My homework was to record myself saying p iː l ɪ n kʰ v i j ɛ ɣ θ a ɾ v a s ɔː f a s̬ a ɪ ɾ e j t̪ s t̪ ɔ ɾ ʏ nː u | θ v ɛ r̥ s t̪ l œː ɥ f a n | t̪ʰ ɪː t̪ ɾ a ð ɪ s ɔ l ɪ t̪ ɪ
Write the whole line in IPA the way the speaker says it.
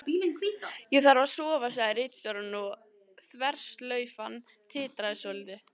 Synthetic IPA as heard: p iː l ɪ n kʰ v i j ɛ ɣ θ a ɾ v a s ɔː v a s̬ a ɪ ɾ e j t̪ s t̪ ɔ ɾ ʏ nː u | θ v ɛ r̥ s t̪ l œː ɥ f a n | t̪ʰ ɪː t̪ ɾ a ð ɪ s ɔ l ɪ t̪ ɪ